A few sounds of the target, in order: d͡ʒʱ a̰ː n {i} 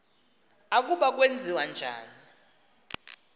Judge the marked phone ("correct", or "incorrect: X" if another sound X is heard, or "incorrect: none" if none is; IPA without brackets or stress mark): correct